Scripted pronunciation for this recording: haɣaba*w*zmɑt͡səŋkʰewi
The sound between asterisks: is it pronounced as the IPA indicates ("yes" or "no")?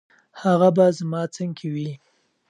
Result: no